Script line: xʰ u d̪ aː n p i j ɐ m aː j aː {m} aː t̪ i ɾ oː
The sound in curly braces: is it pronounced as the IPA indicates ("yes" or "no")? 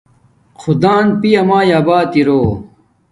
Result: no